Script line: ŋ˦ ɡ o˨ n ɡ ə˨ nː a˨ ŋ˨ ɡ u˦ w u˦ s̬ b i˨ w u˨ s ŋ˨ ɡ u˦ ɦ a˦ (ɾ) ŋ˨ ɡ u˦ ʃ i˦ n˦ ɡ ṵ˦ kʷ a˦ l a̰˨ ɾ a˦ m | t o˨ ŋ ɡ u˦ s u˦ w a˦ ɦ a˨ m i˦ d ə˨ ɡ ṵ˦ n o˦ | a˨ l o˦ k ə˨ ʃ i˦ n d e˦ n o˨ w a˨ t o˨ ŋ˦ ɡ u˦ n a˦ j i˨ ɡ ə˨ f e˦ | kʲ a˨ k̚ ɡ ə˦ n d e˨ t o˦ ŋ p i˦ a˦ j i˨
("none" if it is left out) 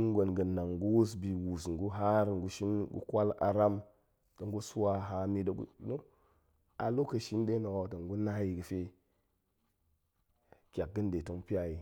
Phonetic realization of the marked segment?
ɾ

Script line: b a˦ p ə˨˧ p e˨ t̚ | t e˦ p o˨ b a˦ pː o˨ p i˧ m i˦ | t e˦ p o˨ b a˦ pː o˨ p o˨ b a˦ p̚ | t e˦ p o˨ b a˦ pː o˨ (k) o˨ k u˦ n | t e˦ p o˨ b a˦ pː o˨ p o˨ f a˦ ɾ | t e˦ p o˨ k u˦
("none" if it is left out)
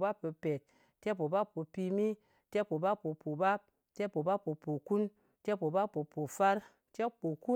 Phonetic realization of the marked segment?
p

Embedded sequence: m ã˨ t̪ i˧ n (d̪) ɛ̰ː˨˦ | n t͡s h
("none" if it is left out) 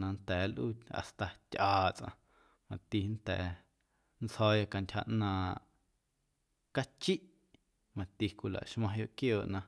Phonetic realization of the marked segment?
t̪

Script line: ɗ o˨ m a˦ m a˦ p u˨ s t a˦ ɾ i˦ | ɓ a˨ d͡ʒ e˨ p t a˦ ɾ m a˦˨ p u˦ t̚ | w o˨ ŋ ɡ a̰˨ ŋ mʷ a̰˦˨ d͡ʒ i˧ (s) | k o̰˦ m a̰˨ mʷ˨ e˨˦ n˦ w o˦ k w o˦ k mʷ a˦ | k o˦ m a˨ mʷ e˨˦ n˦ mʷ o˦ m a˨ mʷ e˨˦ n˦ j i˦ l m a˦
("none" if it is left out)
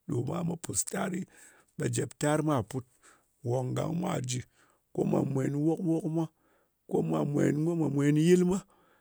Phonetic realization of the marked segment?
none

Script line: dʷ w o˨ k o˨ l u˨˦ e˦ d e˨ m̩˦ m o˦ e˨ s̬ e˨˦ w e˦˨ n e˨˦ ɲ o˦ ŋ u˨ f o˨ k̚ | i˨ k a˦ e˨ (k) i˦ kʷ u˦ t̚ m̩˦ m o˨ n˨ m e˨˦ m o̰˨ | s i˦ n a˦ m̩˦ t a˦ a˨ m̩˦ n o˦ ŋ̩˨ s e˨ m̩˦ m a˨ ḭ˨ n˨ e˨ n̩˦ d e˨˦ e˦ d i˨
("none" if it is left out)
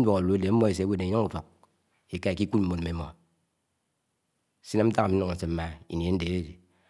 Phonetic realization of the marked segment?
k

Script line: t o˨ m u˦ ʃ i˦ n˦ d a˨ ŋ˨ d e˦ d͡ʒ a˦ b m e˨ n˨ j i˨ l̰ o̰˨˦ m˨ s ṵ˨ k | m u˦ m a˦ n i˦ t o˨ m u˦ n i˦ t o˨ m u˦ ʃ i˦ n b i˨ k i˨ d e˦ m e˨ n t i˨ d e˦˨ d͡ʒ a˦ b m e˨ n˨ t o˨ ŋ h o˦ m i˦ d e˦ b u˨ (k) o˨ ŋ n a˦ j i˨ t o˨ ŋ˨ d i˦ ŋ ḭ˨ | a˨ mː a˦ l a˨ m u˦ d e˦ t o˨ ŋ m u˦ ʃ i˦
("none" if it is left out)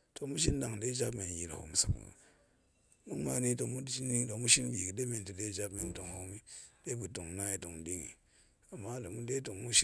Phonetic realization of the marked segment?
t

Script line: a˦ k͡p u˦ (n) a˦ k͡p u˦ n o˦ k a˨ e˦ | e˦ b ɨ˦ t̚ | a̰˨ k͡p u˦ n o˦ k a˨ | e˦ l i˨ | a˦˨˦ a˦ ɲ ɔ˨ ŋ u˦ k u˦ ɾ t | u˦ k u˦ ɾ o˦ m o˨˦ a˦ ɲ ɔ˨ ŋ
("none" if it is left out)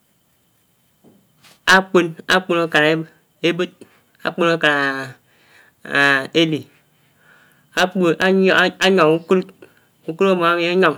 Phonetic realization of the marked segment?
n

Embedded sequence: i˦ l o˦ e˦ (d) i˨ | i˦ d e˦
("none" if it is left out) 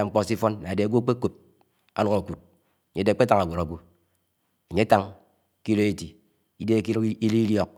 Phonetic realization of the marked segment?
t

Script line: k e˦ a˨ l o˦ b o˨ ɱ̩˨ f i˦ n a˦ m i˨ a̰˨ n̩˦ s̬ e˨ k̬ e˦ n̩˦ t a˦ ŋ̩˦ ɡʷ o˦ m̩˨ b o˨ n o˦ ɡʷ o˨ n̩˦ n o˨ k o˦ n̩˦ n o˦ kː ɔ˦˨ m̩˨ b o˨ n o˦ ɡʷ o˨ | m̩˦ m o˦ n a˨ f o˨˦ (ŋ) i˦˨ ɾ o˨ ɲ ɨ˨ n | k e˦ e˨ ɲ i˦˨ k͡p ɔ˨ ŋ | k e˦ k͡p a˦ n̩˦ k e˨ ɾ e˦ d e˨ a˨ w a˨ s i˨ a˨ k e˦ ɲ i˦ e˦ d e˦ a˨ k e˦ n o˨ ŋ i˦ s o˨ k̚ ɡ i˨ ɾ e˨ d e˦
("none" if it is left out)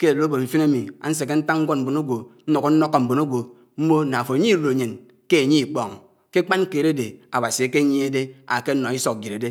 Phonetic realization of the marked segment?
ɲ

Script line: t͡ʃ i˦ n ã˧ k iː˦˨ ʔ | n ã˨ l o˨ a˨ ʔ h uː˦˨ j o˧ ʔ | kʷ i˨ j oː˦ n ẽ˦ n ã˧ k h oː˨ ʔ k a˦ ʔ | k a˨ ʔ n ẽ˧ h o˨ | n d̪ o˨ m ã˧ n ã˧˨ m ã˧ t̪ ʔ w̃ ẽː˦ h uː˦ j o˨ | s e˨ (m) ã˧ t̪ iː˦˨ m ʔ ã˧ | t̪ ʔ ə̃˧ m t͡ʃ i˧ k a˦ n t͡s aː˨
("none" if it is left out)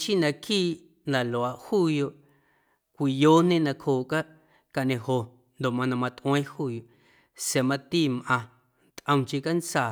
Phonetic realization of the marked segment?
m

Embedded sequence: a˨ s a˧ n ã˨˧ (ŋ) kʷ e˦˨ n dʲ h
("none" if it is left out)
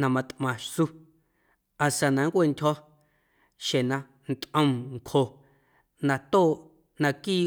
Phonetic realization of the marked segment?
ŋ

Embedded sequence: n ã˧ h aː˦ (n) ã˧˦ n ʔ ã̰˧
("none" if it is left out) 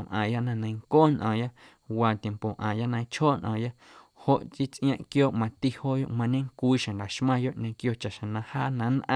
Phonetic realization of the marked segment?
n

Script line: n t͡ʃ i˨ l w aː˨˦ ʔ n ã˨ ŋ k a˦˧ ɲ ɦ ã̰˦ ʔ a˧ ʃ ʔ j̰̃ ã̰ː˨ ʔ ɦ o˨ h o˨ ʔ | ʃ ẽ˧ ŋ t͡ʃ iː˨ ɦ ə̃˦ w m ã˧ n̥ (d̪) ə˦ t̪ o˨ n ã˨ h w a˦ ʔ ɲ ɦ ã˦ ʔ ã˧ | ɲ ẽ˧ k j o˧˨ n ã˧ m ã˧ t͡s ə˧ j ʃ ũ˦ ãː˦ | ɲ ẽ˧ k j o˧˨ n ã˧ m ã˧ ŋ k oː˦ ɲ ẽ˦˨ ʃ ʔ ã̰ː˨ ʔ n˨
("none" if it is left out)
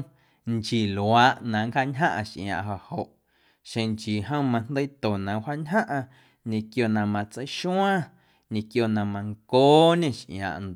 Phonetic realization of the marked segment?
d̪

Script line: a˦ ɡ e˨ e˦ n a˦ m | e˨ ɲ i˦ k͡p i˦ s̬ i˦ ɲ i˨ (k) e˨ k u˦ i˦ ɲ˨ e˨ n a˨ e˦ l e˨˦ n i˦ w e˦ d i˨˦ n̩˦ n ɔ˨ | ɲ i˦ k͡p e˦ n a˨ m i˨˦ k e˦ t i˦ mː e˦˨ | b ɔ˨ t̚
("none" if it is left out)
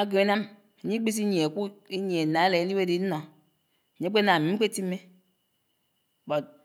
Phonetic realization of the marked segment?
none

